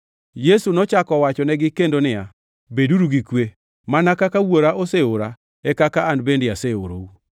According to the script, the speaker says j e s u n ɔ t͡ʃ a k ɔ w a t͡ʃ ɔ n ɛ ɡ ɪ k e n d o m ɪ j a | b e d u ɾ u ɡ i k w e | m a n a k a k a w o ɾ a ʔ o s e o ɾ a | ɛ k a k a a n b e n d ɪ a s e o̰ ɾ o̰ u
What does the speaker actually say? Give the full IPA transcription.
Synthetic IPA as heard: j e s u n ɔ t͡ʃ a k ɔ w a t͡ʃ ɔ n ɛ ɡ ɪ k e n d o n ɪ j a | b e d u ɾ u ɡ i k w e | m a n a k a k a w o ɾ a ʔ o s e o ɾ a | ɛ k a k a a n b e n d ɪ a s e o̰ ɾ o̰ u